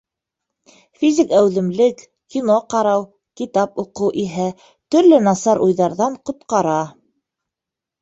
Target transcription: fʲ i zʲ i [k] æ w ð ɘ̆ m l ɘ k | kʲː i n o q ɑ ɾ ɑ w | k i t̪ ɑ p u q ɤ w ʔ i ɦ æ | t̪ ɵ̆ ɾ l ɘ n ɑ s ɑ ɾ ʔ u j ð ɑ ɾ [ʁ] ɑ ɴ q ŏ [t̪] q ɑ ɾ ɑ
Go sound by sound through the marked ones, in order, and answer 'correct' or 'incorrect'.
correct, incorrect, correct

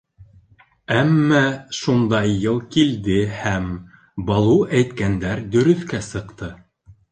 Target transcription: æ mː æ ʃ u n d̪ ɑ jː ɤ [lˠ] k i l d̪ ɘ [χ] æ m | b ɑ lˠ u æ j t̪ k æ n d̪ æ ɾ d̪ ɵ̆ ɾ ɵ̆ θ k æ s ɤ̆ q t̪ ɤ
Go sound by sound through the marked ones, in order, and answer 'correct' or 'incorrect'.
correct, incorrect

